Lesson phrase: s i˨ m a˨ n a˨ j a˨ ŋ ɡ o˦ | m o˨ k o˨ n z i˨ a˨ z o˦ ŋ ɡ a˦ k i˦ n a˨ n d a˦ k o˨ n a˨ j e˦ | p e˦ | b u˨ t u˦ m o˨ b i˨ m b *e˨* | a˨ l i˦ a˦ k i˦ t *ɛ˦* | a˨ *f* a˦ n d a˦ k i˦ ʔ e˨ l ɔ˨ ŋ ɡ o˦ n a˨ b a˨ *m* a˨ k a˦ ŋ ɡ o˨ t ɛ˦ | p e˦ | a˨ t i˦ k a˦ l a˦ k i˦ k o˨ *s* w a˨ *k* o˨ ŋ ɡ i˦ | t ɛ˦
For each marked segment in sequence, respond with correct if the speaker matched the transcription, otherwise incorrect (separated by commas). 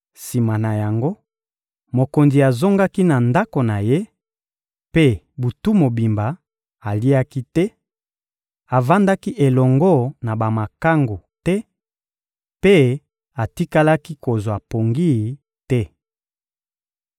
incorrect, correct, incorrect, correct, incorrect, incorrect